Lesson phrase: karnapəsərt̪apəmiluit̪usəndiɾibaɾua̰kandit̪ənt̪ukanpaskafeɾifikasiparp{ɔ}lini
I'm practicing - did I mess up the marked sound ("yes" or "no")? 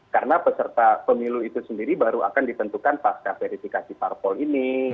no